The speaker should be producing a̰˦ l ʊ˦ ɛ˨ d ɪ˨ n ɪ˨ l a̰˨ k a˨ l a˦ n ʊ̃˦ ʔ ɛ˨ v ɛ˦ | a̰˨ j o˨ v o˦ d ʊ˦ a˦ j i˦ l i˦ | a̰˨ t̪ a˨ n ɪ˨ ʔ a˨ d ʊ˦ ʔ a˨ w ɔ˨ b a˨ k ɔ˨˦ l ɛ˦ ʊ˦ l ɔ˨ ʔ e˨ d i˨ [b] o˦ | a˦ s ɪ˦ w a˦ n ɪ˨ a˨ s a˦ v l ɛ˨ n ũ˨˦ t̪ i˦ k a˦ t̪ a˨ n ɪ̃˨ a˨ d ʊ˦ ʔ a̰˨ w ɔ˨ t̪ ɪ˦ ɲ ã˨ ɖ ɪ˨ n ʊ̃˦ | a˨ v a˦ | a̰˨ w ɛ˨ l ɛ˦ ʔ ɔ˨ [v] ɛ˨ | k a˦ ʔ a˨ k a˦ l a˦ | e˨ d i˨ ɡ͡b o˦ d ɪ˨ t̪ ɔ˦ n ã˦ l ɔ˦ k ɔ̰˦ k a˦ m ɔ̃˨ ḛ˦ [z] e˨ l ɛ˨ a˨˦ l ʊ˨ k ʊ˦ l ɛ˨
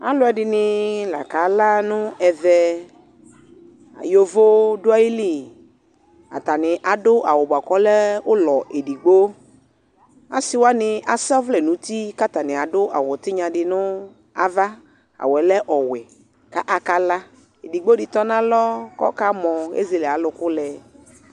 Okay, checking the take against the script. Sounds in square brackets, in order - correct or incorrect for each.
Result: incorrect: ɡ͡b, incorrect: w, correct

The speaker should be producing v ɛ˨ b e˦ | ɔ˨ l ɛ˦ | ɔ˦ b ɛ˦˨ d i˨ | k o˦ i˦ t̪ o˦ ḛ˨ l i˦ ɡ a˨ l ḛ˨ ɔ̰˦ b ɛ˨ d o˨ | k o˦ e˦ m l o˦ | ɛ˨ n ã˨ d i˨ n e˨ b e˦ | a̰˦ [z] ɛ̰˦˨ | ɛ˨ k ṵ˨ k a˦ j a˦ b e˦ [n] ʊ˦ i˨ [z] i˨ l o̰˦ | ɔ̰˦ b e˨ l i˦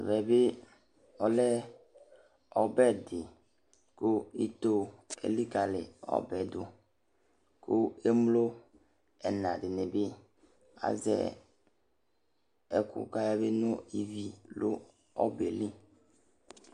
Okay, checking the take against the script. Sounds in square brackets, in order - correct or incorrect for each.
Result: correct, correct, incorrect: v

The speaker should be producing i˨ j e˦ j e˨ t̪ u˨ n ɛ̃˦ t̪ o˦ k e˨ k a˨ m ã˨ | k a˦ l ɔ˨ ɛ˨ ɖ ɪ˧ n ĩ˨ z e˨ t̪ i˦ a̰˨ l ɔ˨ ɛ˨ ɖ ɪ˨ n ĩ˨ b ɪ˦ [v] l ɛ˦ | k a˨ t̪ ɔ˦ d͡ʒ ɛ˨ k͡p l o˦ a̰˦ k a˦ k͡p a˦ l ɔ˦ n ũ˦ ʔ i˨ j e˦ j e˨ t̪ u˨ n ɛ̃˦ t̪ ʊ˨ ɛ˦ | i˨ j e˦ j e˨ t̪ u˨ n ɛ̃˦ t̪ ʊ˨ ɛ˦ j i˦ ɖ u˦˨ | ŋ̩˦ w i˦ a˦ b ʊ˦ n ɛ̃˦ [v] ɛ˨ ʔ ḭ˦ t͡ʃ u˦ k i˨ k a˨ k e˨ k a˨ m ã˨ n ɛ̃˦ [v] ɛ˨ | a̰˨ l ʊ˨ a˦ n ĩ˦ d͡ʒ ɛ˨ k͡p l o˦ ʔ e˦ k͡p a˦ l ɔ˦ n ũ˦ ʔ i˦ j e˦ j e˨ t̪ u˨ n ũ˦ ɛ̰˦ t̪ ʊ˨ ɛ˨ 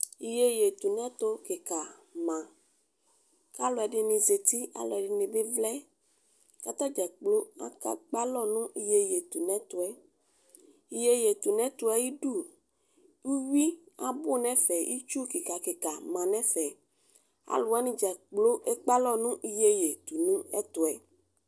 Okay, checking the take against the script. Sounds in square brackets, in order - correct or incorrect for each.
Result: correct, incorrect: f, incorrect: f

